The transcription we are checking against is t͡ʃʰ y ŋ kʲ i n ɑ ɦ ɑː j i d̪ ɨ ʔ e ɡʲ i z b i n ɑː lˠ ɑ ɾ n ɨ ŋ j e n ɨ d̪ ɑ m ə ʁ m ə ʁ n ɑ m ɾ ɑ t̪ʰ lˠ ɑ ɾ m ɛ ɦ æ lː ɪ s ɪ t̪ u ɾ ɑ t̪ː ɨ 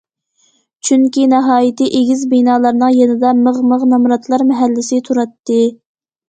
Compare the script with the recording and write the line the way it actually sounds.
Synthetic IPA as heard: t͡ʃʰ y ŋ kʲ i n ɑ ɦ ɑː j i t̪ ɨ ʔ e ɡʲ i z b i n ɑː lˠ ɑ ɾ n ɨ ŋ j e n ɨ d̪ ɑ m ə ʁ m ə ʁ n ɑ m ɾ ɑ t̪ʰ lˠ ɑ ɾ m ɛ ɦ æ lː ɪ s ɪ t̪ʰ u ɾ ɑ t̪ː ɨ